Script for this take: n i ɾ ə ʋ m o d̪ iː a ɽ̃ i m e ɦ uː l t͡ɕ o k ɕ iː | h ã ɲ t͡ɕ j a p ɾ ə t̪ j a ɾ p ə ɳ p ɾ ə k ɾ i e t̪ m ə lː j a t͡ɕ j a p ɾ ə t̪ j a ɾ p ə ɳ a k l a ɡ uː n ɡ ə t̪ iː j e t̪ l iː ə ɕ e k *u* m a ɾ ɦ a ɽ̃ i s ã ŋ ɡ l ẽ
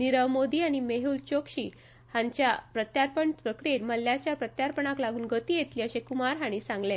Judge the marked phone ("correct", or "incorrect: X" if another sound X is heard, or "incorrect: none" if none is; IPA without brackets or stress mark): correct